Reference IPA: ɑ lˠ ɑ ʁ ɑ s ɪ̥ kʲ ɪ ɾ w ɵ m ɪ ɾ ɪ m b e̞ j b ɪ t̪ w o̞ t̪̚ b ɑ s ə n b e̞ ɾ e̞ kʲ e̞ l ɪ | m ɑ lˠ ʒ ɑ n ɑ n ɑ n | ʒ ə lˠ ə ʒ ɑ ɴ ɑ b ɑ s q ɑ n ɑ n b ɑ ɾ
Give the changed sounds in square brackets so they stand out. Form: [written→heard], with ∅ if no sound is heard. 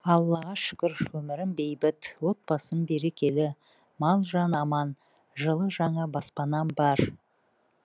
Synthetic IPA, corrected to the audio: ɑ [lˠ→lˠː] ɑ ʁ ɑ [s→ʃ] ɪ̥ kʲ ɪ ɾ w ɵ m ɪ ɾ ɪ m b e̞ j b ɪ t̪ w o̞ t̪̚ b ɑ s ə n b e̞ ɾ e̞ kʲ e̞ l ɪ | m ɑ lˠ ʒ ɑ n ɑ [n→m] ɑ n | ʒ ə lˠ ə ʒ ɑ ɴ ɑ b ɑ s [q→p] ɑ n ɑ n b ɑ ɾ